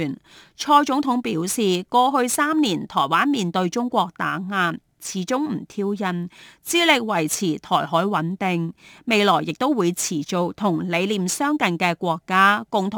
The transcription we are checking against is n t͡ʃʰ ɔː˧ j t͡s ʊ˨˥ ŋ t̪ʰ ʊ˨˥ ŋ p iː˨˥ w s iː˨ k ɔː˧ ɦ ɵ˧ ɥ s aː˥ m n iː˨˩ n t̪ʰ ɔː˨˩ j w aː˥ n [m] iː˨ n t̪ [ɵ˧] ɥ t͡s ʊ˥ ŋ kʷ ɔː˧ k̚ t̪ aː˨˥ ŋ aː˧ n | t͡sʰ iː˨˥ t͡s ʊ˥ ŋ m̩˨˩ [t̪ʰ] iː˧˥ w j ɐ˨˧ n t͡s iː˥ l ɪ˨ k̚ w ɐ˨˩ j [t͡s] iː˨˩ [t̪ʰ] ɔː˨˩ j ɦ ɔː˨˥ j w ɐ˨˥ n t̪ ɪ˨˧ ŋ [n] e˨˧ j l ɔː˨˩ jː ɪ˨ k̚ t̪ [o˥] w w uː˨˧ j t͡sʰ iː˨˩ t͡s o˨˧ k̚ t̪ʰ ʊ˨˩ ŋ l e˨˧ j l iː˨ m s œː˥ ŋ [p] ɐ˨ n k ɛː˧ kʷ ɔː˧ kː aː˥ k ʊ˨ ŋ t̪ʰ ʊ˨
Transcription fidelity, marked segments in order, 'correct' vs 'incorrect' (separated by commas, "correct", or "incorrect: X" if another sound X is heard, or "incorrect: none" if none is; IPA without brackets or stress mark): correct, correct, correct, incorrect: t͡sʰ, correct, incorrect: m, correct, incorrect: k